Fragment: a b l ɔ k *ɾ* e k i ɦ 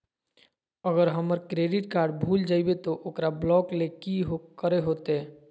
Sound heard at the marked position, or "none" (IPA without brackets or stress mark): l